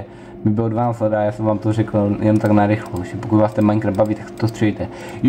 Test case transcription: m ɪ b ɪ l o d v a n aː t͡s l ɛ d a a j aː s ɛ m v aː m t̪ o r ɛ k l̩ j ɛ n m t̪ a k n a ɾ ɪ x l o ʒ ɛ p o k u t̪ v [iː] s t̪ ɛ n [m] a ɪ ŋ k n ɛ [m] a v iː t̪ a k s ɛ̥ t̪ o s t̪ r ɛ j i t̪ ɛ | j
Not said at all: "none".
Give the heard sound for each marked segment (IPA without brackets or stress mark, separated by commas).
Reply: aː, m, b